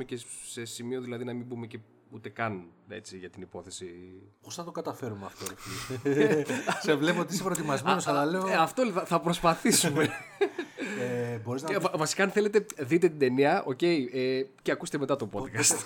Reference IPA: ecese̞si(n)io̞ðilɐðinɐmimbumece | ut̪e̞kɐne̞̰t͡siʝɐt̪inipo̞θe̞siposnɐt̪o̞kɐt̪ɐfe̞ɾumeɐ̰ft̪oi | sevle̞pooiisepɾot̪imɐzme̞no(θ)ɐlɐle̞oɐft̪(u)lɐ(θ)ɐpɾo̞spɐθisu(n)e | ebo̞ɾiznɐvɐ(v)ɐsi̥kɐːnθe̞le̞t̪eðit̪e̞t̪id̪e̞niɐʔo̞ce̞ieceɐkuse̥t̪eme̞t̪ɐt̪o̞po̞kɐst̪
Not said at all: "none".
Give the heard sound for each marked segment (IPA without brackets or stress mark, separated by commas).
m, s, o, θ, m, v